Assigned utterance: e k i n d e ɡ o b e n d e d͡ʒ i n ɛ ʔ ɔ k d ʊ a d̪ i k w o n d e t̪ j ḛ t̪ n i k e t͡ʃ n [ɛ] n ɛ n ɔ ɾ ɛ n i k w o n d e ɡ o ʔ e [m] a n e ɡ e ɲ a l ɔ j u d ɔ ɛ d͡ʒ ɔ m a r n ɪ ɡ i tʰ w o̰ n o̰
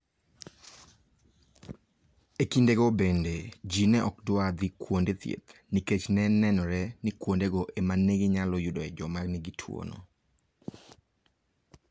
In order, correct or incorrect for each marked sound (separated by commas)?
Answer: correct, correct